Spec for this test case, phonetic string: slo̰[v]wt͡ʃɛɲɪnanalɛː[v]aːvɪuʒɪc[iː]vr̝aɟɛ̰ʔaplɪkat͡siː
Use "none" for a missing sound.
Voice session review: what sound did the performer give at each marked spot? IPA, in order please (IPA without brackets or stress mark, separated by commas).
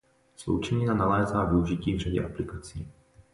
none, z, iː